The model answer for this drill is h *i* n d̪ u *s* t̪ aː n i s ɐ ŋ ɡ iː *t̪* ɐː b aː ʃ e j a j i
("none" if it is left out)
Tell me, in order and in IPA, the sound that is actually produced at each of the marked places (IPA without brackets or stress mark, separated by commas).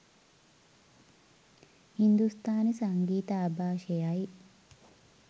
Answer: i, s, t̪